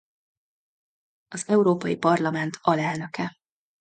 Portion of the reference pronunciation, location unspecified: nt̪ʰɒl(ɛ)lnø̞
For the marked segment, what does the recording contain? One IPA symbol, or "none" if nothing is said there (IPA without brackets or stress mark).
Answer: ɛ